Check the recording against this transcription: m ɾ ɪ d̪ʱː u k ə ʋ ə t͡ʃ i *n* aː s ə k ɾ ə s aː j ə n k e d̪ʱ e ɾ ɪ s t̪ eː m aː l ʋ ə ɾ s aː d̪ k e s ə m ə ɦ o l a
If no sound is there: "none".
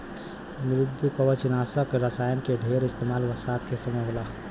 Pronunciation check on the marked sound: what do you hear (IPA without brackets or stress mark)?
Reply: n